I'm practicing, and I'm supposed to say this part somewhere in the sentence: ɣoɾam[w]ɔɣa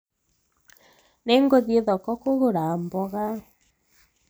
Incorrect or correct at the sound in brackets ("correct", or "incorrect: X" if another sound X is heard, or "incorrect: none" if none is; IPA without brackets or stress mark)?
incorrect: b